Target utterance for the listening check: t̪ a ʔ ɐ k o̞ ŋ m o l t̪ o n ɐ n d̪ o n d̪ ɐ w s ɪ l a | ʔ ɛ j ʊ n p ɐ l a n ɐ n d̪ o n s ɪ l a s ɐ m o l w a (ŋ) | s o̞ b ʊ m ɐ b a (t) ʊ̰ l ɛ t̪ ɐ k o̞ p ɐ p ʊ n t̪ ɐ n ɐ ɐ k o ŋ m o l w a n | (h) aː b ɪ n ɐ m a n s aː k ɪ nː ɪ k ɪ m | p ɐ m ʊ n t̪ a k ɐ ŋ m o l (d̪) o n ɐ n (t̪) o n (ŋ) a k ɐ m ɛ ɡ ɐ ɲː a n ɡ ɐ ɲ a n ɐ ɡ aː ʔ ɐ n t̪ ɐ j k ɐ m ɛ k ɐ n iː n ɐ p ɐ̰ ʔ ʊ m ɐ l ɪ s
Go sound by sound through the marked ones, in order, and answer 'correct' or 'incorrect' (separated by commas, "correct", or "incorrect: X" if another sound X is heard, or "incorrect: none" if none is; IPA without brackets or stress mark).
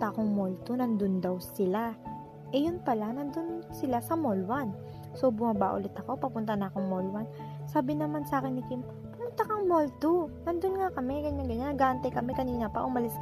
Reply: incorrect: n, incorrect: ʔ, incorrect: s, incorrect: t̪, incorrect: d̪, correct